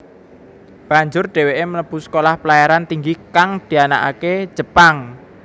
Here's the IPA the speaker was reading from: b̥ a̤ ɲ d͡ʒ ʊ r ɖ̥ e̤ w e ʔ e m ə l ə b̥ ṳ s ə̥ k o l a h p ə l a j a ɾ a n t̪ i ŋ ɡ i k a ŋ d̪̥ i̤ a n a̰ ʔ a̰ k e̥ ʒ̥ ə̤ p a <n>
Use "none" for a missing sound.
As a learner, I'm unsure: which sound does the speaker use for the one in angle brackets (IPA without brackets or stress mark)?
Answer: ŋ